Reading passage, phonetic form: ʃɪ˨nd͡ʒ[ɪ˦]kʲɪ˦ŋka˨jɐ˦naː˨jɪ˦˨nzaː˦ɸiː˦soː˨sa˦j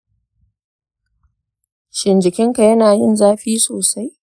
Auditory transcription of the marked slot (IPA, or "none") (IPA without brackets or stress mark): ɪ˨